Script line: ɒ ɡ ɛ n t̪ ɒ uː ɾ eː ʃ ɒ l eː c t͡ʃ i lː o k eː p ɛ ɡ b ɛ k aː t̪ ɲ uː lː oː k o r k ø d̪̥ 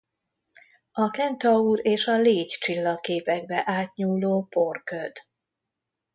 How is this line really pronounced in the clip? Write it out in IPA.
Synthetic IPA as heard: ɒ k ɛ n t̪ ɒ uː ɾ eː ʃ ɒ l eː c t͡ʃ i lː ɒ k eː p ɛ ɡ b ɛ ʔ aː t̪ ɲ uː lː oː p o r k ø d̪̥